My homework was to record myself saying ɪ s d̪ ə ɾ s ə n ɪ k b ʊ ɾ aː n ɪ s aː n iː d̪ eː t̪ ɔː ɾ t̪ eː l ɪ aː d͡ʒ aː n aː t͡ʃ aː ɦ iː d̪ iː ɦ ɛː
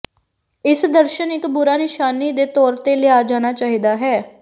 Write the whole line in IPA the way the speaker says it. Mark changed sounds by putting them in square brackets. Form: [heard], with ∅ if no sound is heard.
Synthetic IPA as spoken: ɪ s d̪ ə ɾ [ʃ] ə n ɪ k b ʊ ɾ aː n ɪ [ʃ] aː n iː d̪ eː t̪ ɔː ɾ t̪ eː l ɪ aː d͡ʒ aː n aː t͡ʃ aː ɦ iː d̪ [aː] ɦ ɛː